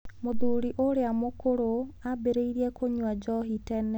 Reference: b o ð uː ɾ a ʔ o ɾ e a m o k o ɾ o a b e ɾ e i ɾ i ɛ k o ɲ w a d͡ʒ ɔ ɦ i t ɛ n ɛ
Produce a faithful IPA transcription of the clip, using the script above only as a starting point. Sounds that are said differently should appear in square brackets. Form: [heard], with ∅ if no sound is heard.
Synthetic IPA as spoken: [m] o ð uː ɾ [i] ʔ o ɾ e a m o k o ɾ o a b e ɾ e i ɾ i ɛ k o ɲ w a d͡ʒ ɔ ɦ i t ɛ n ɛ